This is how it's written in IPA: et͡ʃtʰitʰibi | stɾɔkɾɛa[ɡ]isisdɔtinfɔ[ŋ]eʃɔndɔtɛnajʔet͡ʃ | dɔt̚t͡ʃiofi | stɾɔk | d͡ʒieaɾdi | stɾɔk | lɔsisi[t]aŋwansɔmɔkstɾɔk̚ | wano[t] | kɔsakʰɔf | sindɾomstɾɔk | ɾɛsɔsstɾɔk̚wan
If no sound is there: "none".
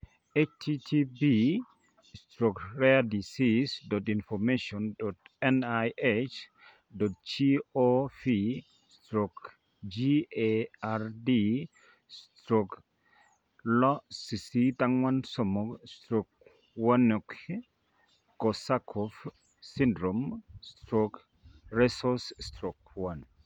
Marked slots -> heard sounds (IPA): d, m, t, k

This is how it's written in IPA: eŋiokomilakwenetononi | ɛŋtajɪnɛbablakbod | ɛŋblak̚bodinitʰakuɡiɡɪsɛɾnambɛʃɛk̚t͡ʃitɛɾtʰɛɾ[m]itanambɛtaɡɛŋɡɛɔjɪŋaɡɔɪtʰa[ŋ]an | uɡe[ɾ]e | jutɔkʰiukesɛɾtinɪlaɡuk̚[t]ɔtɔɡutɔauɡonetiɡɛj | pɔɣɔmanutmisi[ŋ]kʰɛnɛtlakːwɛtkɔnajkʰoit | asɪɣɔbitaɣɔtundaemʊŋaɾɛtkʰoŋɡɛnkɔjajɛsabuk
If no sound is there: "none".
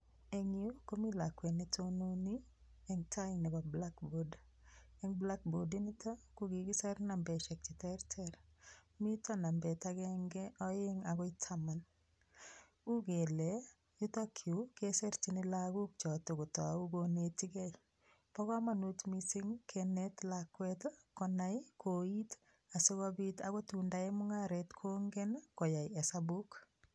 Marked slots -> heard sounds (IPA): m, m, l, t͡ʃ, ŋ

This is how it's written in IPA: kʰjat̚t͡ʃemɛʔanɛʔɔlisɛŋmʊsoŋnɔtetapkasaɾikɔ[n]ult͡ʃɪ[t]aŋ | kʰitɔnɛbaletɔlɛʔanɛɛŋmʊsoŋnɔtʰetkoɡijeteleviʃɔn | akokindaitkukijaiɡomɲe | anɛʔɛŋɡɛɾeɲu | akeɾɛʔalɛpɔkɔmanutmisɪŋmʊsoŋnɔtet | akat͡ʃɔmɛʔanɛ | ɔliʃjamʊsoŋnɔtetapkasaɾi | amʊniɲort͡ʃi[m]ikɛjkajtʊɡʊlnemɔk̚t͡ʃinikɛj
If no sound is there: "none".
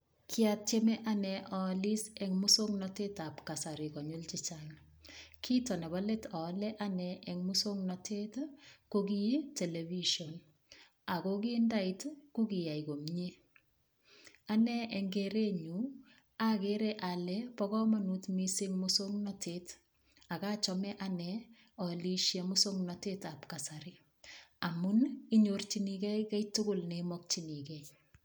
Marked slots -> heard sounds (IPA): ɲ, t͡ʃ, n

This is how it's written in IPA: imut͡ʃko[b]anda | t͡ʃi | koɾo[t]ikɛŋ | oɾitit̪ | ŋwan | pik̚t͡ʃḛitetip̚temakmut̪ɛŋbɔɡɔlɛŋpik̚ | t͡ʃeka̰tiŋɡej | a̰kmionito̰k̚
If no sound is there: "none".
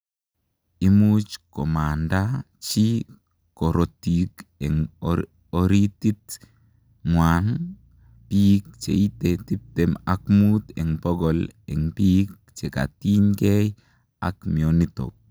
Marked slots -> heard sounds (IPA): m, t

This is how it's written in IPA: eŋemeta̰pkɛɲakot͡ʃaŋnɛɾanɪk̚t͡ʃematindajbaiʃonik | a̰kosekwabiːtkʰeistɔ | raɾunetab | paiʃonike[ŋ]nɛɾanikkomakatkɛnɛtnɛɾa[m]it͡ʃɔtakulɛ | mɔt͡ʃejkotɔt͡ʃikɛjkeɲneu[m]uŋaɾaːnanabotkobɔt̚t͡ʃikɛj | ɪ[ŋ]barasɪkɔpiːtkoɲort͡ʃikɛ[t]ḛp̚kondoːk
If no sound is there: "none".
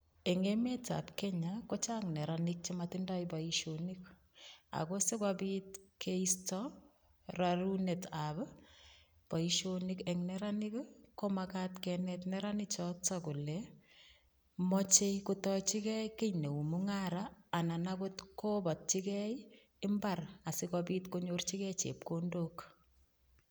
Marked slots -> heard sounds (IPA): ŋ, n, m, m, t͡ʃ

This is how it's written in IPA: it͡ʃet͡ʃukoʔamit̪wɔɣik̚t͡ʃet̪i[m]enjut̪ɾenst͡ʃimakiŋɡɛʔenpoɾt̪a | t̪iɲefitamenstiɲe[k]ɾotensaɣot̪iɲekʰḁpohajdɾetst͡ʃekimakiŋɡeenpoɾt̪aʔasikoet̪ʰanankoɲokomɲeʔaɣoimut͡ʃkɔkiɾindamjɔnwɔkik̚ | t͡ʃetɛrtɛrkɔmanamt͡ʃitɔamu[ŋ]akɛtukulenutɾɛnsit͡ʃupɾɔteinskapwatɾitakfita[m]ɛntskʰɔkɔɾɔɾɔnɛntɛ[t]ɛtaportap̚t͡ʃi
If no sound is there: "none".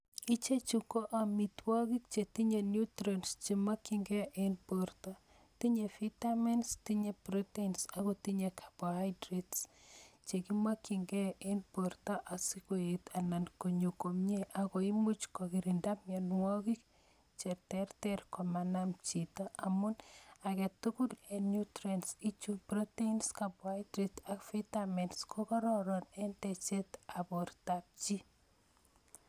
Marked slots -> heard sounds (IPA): ɲ, p, n, m, t͡ʃ

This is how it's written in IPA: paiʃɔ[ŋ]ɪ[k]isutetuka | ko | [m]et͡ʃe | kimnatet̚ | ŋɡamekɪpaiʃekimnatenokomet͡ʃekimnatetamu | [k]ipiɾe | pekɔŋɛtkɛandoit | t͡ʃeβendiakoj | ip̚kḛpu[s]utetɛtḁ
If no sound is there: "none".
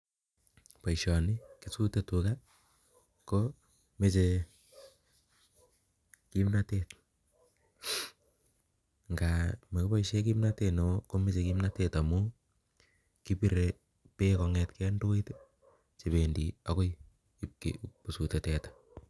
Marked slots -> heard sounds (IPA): n, k, m, k, s

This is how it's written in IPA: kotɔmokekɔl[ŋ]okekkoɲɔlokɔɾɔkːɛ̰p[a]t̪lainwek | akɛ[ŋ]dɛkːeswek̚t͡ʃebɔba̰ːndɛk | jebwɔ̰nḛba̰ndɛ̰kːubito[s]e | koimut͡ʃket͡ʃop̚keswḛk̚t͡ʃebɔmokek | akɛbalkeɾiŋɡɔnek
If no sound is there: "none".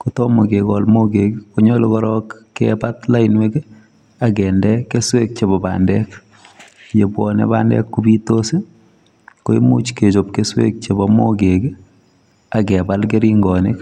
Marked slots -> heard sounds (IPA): m, a, n, s

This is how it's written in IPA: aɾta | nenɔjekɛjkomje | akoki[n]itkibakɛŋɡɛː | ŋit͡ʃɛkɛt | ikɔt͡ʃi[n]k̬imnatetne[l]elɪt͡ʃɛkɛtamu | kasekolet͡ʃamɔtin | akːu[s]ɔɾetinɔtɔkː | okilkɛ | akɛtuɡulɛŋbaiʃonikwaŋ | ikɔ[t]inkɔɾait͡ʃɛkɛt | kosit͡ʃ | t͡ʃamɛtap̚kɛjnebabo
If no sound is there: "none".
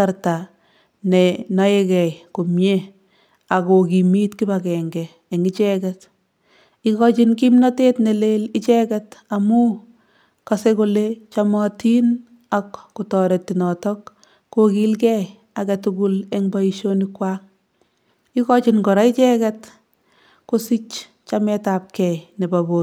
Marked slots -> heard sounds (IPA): m, n, l, t, t͡ʃ

